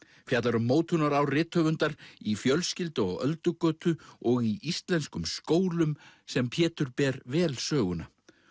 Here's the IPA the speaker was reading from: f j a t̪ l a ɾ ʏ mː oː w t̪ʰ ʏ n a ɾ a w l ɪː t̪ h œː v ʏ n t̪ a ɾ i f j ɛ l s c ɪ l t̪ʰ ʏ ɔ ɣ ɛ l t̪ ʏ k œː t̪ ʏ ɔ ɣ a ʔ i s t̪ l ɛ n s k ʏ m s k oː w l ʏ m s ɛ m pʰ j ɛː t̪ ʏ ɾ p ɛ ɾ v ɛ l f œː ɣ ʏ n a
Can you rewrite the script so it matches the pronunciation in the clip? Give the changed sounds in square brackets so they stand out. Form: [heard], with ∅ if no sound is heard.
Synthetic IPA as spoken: f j a t̪ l a ɾ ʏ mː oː w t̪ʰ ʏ n a ɾ a w [r] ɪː t̪ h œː v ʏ n t̪ a ɾ i f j [œ] l s c ɪ l [t̪] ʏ ɔ ɣ [œ] l t̪ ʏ k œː t̪ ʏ ɔ ɣ [i] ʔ i s t̪ l ɛ n s k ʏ m s k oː w l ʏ m s ɛ m pʰ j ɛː t̪ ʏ ɾ p ɛ ɾ v [ɛː] l [s] œː ɣ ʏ n a

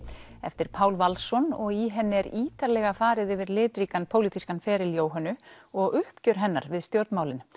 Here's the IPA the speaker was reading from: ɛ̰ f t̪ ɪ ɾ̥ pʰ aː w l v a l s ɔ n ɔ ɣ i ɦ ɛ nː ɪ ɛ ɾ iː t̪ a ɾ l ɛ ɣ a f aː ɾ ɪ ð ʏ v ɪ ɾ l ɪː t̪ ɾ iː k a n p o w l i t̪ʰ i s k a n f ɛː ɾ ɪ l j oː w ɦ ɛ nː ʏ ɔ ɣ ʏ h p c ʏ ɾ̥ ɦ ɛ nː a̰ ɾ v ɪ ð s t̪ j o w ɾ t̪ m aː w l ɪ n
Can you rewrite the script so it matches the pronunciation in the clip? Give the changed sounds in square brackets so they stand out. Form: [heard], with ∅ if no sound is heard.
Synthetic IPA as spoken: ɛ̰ f t̪ ɪ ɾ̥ pʰ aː w l v a l s ɔ n ɔ ɣ i ɦ ɛ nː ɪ ɛ ɾ iː t̪ a ɾ l ɛ ɣ a f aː ɾ ɪ ð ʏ v ɪ ɾ l ɪː t̪ ɾ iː k a n [pʰ] o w l i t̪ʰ i s k a n f ɛː ɾ ɪ l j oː w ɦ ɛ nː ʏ ɔ ɣ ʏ h p c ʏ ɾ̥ ɦ ɛ nː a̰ ɾ v ɪ ð s t̪ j o w ɾ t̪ m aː w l ɪ n

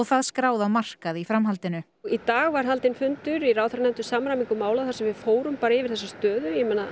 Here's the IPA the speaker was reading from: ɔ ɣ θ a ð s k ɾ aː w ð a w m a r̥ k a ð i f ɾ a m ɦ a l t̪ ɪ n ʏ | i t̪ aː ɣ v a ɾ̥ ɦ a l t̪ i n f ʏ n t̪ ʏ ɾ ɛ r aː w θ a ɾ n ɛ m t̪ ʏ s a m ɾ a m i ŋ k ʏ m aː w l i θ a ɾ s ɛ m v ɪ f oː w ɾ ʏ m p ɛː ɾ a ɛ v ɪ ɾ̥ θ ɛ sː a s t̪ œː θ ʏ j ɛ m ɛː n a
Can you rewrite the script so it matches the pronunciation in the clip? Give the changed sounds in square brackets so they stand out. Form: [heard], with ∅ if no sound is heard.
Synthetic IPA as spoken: ɔ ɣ θ a ð s k ɾ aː w ð a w m a r̥ k a ð i f ɾ a m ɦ a l t̪ ɪ n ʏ | i t̪ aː ɣ v a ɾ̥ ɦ a l t̪ [ɪ] n f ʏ n t̪ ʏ ɾ [i] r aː w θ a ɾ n ɛ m t̪ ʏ s a m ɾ a m i ŋ k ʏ m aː w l [a] θ a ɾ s ɛ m v ɪ f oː w ɾ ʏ m p [aː] ɾ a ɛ v ɪ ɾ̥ θ ɛ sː a s t̪ œː [ð] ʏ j ɛ m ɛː n a

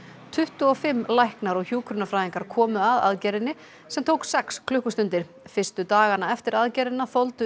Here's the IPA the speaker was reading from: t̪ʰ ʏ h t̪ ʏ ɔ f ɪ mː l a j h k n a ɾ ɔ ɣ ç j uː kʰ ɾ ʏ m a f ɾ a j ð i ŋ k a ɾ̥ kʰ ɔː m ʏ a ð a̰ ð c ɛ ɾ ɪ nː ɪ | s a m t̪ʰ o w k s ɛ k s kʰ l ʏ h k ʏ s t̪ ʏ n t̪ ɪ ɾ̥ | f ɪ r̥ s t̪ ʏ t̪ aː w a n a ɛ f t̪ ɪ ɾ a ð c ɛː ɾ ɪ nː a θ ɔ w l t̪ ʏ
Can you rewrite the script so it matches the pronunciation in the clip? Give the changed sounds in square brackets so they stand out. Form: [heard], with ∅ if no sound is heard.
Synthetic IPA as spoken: t̪ʰ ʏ h t̪ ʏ ɔ f ɪ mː l a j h k n a ɾ ɔ ɣ ç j uː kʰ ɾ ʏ [n] a f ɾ a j ð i ŋ k a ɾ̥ kʰ ɔː m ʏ a ð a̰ ð c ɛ ɾ ɪ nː ɪ | s [ɛ] m t̪ʰ o w k s ɛ k s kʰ l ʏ h k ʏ s t̪ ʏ n t̪ ɪ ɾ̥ | f ɪ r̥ s t̪ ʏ t̪ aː [ɣ] a n a ɛ f t̪ ɪ ɾ a ð c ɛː ɾ ɪ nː a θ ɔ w l t̪ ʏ

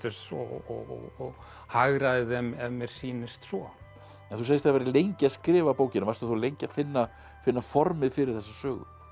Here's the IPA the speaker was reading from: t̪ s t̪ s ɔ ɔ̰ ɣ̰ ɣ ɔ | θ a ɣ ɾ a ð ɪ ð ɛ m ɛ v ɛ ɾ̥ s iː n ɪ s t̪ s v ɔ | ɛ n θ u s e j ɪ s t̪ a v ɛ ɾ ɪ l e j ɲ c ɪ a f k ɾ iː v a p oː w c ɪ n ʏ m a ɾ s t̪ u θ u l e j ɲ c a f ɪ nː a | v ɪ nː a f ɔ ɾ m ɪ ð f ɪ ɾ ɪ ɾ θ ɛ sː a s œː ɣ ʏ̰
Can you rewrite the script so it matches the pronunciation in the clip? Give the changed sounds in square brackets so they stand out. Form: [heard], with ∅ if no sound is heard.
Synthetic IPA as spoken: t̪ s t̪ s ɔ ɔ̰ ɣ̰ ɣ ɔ | [h] a ɣ ɾ a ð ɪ ð ɛ m ɛ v ɛ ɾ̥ s iː n ɪ s t̪ s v ɔ | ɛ n θ u s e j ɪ s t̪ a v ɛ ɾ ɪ l e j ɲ c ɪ a [s] k ɾ [ɪː] v a p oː w c ɪ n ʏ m a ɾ s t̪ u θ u l e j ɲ c a f ɪ nː a | [f] ɪ nː a f ɔ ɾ m ɪ ð f ɪ ɾ ɪ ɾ θ ɛ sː a s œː ɣ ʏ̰

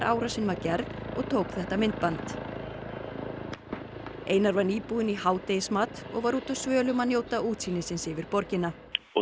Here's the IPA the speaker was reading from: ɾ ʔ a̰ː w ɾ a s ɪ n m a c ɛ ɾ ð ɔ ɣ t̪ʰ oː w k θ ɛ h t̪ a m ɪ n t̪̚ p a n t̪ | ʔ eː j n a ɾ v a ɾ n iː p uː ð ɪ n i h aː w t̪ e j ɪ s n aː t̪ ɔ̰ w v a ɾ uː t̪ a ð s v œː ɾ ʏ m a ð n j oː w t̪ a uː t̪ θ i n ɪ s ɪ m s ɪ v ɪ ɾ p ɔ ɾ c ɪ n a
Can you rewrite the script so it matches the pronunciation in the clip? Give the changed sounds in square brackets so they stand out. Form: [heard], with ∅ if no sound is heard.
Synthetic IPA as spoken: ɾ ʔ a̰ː w ɾ a s ɪ n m a c ɛ ɾ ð ɔ ɣ t̪ʰ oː w k θ ɛ h t̪ a m ɪ n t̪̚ p a n t̪ | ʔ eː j n a ɾ v a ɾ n iː p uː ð ɪ n i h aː w t̪ e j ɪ s [m] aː t̪ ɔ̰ [ɣ] v a ɾ uː t̪ a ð s v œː [l] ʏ m a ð n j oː w t̪ a uː t̪ [s] i n ɪ s ɪ [n] s ɪ v ɪ ɾ p ɔ ɾ c ɪ n a

